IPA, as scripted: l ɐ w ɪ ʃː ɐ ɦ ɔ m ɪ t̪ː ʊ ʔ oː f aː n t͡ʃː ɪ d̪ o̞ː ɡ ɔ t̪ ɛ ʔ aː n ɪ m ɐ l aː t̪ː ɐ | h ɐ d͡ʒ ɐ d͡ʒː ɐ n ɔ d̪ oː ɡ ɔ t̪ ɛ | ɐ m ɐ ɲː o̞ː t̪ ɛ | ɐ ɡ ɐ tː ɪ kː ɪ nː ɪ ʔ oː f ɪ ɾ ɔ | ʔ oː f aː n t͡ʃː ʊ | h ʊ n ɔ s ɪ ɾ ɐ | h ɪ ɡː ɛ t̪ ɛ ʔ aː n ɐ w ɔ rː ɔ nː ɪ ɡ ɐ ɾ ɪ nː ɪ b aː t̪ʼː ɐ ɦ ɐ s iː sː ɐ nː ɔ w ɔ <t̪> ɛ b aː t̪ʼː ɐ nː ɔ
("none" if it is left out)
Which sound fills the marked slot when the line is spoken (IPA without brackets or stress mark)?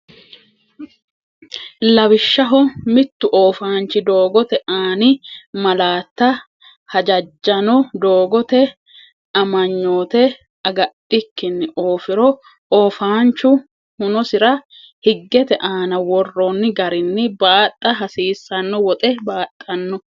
t̪ʼ